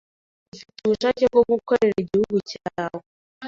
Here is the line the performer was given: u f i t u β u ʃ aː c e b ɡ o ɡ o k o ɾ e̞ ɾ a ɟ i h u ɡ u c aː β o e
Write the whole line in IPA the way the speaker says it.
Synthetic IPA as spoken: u f i t u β u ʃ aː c e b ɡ o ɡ u k o ɾ e̞ ɾ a ɟ i h u ɡ u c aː w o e